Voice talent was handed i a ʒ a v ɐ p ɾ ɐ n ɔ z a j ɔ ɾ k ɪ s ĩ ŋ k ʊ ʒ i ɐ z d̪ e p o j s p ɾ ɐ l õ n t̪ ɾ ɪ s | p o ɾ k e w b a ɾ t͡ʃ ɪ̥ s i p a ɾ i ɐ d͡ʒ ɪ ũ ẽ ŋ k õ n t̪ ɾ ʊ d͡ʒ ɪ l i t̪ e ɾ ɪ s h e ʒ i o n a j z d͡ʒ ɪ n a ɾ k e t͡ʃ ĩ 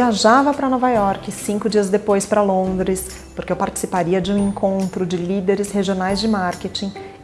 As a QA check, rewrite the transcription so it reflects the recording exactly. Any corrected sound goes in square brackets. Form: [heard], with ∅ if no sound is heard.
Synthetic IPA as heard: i a ʒ a v ɐ p ɾ ɐ n ɔ [v] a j ɔ ɾ k ɪ s ĩ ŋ k ʊ [d͡ʒ] i ɐ z d̪ e p o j s p ɾ ɐ l õ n [d̪] ɾ ɪ s | p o ɾ k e w [p] a ɾ t͡ʃ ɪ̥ s i p a ɾ i ɐ d͡ʒ ɪ ũ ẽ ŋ k õ n t̪ ɾ ʊ d͡ʒ ɪ l i [d̪] e ɾ ɪ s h e ʒ i o n a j z d͡ʒ ɪ [m] a ɾ k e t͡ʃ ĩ

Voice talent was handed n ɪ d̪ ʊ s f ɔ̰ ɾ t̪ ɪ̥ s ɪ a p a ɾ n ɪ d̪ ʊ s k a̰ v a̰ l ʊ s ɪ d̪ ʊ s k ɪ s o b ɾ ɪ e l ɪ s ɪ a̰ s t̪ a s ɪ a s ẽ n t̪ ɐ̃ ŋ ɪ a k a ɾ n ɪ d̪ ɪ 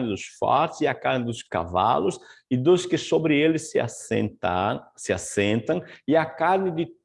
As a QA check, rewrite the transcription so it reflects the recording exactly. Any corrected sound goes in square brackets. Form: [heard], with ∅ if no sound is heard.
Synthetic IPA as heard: n ɪ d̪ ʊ s f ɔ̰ ɾ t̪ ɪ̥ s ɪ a [k] a ɾ n ɪ d̪ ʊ s k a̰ v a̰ l ʊ s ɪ d̪ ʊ s k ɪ s o b ɾ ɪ e l ɪ s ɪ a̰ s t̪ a s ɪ a s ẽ n t̪ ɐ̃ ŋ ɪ a k a ɾ n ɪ d̪ ɪ

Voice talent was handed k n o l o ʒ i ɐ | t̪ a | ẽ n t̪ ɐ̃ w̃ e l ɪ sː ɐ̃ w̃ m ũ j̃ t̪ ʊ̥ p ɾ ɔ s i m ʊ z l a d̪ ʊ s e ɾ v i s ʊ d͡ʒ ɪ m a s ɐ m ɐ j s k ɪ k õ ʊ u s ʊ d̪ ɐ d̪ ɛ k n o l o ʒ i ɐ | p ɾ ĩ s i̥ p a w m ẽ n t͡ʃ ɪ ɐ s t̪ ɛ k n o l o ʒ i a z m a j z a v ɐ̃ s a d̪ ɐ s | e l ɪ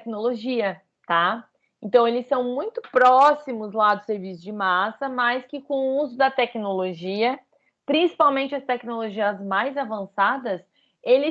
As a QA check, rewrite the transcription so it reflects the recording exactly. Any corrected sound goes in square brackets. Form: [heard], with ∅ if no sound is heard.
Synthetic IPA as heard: k n o l o ʒ i ɐ | t̪ a | ẽ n t̪ ɐ̃ w̃ e l ɪ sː ɐ̃ w̃ m ũ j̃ t̪ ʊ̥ p ɾ ɔ s i m ʊ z l a d̪ ʊ s e ɾ v i s ʊ d͡ʒ ɪ m a s ɐ m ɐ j s k ɪ k õ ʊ u [z] ʊ d̪ ɐ [t̪] ɛ k n o l o ʒ i ɐ | p ɾ ĩ s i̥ p a w m ẽ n t͡ʃ ɪ ɐ s t̪ ɛ k n o l o ʒ i [ɐ] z m a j z a v ɐ̃ s a d̪ ɐ s | e l ɪ

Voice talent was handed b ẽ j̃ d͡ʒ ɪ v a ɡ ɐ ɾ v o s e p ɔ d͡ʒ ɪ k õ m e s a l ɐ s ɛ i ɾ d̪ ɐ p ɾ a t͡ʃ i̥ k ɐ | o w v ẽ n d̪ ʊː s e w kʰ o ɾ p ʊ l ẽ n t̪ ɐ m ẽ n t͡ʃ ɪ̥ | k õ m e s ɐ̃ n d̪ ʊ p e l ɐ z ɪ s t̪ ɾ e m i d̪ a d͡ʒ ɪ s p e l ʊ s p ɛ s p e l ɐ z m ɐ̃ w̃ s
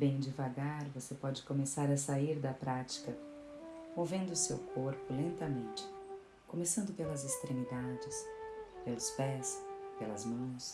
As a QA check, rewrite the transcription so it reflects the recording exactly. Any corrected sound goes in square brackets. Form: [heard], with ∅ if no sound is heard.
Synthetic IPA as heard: b ẽ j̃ d͡ʒ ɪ v a ɡ [a] ɾ v o s e p ɔ d͡ʒ ɪ k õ m e s a [ɾ] ɐ s [a] i ɾ d̪ ɐ p ɾ a t͡ʃ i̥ k ɐ | o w v ẽ n d̪ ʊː s e w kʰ o ɾ p ʊ l ẽ n t̪ ɐ m ẽ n t͡ʃ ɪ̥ | k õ m e s ɐ̃ n d̪ ʊ p e l ɐ z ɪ s t̪ ɾ e m i d̪ a d͡ʒ ɪ s p e l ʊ s p ɛ s p e l ɐ z m ɐ̃ w̃ s

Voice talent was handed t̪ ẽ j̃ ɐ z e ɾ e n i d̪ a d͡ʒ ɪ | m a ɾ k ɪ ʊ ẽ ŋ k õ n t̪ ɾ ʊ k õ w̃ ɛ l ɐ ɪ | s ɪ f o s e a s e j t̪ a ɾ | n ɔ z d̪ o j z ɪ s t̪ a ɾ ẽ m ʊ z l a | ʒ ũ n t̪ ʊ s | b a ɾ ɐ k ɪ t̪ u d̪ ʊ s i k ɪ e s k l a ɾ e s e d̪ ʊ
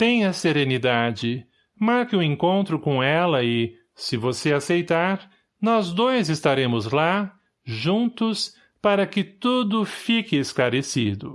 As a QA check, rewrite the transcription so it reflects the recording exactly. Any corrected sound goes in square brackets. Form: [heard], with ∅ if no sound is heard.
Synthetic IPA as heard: t̪ ẽ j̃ ɐ [s] e ɾ e n i d̪ a d͡ʒ ɪ | m a ɾ k ɪ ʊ ẽ ŋ k õ n t̪ ɾ ʊ k õ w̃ ɛ l ɐ ɪ | s ɪ [v] o s e a s e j t̪ a ɾ | n ɔ z d̪ o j z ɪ s t̪ a ɾ ẽ m ʊ z l a | ʒ ũ n t̪ ʊ s | [p] a ɾ ɐ k ɪ t̪ u d̪ ʊ [f] i k ɪ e s k l a ɾ e s [i] d̪ ʊ

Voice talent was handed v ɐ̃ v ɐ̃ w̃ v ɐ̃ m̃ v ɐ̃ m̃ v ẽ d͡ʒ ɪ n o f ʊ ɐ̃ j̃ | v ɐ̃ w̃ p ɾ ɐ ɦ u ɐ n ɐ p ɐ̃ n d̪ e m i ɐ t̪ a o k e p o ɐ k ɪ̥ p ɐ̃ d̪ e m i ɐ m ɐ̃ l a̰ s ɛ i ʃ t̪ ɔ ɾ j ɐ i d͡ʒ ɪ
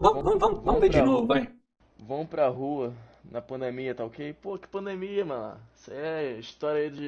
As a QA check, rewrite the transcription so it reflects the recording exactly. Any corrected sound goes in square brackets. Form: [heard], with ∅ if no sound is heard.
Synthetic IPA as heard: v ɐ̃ v ɐ̃ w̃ v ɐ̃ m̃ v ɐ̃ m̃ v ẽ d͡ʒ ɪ n o [v] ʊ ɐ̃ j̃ | v ɐ̃ w̃ p ɾ ɐ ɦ u ɐ n ɐ p ɐ̃ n d̪ e m i ɐ t̪ a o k e p o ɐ k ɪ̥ p ɐ̃ d̪ e m i ɐ m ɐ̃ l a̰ s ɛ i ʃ t̪ ɔ ɾ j ɐ i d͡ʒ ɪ

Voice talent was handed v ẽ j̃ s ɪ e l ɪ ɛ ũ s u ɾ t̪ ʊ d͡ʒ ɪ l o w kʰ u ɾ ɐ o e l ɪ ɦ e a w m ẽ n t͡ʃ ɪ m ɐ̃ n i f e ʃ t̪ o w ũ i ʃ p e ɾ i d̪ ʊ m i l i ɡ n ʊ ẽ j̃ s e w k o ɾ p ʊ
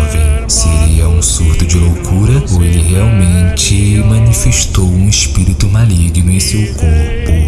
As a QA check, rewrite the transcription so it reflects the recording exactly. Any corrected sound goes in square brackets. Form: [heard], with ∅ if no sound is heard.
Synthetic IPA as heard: v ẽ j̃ s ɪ e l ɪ ɛ ũ s u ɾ t̪ ʊ d͡ʒ ɪ l o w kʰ u ɾ ɐ o e l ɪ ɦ e a w m ẽ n t͡ʃ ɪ m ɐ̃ n i f e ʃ t̪ o w ũ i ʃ p [i] ɾ i [t̪] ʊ m [a] l i ɡ n ʊ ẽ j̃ s e w k o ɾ p ʊ

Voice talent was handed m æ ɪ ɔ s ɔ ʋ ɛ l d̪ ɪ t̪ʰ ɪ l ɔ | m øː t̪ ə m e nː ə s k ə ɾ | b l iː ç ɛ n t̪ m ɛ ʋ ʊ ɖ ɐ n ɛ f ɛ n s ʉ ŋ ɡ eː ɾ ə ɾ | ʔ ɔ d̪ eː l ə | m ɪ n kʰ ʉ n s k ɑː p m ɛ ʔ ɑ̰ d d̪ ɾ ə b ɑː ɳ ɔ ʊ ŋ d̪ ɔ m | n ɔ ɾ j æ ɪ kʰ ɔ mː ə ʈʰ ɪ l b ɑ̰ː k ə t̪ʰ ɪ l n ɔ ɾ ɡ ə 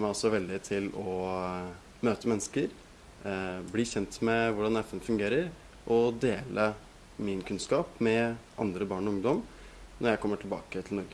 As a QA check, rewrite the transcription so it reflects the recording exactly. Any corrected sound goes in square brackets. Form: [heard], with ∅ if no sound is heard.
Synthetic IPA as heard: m æ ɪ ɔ s ɔ ʋ ɛ l d̪ ɪ t̪ʰ ɪ l ɔ | m øː t̪ ə m [ɛ] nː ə s k ə ɾ | b l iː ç ɛ n t̪ m ɛ ʋ ʊ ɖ [ɑ] n ɛ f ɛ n [f] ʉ ŋ ɡ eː ɾ ə ɾ | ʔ ɔ d̪ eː l ə | m ɪ n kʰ ʉ n s k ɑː p m ɛ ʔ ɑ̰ [n] d̪ ɾ ə b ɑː ɳ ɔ ʊ ŋ d̪ ɔ m | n ɔ ɾ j æ ɪ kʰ ɔ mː ə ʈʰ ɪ l b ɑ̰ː k ə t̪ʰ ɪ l n ɔ ɾ ɡ ə

